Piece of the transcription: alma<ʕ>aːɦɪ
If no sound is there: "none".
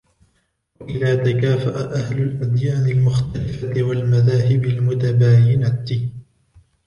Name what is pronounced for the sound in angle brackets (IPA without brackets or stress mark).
ð